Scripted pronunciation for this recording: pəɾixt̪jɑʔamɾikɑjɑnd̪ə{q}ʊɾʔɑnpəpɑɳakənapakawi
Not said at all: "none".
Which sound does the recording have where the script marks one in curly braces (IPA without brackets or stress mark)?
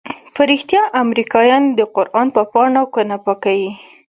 q